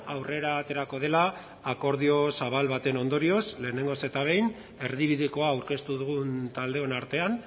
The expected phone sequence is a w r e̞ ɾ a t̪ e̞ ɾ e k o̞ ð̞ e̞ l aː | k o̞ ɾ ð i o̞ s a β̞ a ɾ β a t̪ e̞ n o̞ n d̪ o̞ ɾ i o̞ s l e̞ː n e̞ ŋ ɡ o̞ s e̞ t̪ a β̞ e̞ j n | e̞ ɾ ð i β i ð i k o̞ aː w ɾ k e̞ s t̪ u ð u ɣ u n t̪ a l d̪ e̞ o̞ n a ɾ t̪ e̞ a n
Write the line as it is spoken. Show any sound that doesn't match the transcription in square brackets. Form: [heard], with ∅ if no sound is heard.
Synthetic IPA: a w r e̞ ɾ a t̪ e̞ ɾ [a] k o̞ ð̞ e̞ l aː | k o̞ ɾ ð i o̞ s a β̞ a [l] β a t̪ e̞ n o̞ n d̪ o̞ ɾ i o̞ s l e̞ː n e̞ ŋ ɡ o̞ s e̞ t̪ a β̞ e̞ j n | e̞ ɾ ð i β i ð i k o̞ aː w ɾ k e̞ s t̪ u ð u ɣ u n t̪ a l d̪ e̞ o̞ n a ɾ t̪ e̞ a n